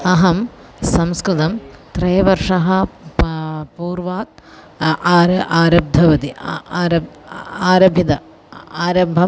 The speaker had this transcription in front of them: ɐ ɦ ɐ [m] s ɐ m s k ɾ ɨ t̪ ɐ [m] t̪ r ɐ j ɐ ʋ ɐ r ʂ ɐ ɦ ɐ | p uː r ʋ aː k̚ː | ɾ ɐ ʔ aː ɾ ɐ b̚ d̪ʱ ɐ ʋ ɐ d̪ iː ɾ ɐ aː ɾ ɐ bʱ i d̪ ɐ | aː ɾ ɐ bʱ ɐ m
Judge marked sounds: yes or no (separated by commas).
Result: yes, yes